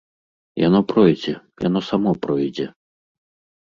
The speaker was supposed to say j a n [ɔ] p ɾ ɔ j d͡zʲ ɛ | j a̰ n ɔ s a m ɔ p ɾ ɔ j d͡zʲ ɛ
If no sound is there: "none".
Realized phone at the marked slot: ɔ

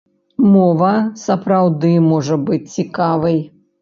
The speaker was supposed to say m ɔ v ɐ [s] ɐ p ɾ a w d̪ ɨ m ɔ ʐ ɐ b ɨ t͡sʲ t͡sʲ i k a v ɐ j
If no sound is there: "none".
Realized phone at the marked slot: s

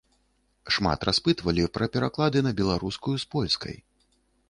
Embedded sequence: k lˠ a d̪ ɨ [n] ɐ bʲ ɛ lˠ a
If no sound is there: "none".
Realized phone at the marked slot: n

